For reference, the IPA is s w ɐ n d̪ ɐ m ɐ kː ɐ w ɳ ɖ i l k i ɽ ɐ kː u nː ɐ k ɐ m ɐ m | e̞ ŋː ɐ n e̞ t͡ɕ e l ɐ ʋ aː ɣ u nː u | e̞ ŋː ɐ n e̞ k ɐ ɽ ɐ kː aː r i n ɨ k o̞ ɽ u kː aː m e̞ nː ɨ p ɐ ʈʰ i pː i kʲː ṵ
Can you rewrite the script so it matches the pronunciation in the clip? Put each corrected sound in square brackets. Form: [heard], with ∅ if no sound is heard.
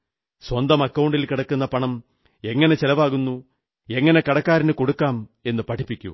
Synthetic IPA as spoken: s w ɐ n d̪ ɐ m ɐ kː ɐ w ɳ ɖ i l k i ɽ ɐ kː u nː ɐ [p] ɐ [ɳ] ɐ m | e̞ ŋː ɐ n e̞ t͡ɕ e l ɐ ʋ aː ɣ u nː u | e̞ ŋː ɐ n e̞ k ɐ ɽ ɐ kː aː [ɾ] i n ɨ k o̞ ɽ u kː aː m e̞ nː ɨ p ɐ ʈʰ i pː i kʲː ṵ